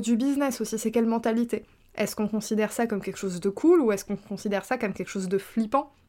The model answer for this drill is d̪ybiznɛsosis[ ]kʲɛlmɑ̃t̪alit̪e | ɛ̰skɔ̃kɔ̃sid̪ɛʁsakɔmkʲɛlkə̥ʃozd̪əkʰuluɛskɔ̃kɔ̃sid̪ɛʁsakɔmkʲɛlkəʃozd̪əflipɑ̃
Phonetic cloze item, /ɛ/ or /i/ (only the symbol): ɛ